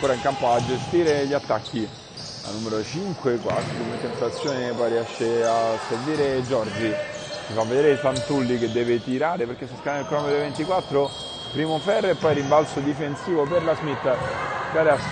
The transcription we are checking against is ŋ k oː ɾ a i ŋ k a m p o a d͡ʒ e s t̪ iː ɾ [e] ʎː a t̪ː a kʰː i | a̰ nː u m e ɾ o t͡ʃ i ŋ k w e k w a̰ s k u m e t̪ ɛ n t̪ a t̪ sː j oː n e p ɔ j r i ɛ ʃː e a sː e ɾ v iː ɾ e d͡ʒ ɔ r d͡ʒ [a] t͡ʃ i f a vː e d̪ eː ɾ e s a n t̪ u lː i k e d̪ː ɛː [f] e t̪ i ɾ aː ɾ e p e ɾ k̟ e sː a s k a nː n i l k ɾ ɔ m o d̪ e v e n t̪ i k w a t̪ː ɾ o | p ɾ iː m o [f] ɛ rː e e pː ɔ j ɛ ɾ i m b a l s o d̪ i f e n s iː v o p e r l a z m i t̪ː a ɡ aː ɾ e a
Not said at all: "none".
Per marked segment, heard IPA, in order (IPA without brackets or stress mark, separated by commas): e, i, v, f